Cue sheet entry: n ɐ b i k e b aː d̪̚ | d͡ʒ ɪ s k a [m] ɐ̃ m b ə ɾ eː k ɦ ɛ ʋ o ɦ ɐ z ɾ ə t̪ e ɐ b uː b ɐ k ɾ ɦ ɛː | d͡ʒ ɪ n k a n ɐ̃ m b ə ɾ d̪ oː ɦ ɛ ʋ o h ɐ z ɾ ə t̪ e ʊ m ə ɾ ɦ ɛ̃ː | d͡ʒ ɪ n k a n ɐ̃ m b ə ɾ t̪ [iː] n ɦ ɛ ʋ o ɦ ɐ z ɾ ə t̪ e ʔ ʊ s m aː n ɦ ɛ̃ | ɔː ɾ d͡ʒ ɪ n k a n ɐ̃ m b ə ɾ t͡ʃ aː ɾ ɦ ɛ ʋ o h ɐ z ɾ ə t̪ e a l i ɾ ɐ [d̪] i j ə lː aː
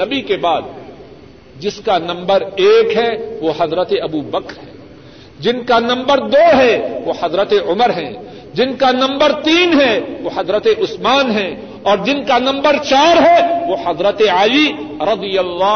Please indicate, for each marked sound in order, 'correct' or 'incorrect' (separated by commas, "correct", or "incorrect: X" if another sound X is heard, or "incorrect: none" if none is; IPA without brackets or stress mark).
incorrect: n, correct, correct